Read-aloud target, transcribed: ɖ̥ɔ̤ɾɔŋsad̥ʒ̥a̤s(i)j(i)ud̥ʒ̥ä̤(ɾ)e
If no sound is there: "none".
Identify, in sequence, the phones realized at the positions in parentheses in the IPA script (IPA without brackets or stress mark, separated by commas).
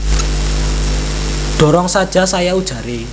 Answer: a, a, ɾ